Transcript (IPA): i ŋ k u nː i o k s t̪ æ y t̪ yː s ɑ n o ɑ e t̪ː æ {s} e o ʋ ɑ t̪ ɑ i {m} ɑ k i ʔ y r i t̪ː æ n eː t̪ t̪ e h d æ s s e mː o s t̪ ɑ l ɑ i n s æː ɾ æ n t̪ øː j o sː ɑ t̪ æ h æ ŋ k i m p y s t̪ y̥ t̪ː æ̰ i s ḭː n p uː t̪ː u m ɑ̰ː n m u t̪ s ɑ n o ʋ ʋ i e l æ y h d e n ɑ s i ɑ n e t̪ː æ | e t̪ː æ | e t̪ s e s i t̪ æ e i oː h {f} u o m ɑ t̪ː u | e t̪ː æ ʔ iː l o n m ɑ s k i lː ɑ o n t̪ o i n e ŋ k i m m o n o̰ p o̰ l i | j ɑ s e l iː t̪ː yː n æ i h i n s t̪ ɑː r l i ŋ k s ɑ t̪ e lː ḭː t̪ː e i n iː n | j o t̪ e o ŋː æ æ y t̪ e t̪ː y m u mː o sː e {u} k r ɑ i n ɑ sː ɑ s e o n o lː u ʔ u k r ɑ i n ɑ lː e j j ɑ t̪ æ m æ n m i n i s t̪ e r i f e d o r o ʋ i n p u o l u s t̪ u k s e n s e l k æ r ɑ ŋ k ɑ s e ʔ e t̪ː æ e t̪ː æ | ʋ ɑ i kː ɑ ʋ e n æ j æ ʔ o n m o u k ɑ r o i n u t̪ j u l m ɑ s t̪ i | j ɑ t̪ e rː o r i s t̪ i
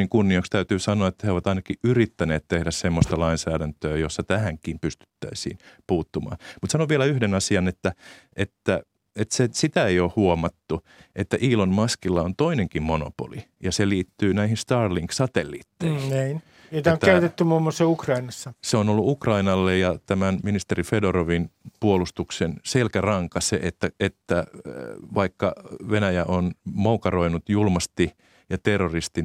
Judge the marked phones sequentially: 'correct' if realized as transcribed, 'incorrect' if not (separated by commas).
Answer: incorrect, incorrect, incorrect, correct